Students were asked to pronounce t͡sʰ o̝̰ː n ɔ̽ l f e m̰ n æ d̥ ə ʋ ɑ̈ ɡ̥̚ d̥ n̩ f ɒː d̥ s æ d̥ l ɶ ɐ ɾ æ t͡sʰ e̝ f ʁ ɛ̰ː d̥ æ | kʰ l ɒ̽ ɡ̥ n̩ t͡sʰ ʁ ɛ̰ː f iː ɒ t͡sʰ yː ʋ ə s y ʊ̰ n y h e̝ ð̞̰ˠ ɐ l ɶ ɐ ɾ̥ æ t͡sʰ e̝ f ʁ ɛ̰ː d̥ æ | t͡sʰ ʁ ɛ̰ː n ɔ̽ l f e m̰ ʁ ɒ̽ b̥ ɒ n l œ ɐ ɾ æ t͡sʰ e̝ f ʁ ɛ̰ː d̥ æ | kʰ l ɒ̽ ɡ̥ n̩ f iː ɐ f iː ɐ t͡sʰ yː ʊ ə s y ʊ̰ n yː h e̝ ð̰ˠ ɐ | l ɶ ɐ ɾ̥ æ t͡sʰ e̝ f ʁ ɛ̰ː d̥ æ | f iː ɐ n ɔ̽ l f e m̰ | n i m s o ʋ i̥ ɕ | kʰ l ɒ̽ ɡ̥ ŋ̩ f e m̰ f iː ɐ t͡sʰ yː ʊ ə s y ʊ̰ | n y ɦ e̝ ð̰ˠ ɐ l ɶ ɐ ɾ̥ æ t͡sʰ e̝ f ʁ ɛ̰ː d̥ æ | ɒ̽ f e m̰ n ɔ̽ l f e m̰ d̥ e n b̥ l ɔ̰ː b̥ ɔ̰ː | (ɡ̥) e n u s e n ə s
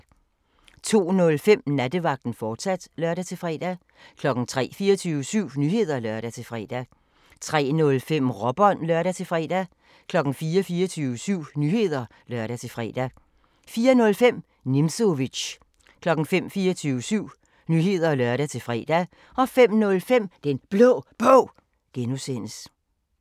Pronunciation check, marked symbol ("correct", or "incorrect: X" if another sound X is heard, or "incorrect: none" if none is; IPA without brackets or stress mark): correct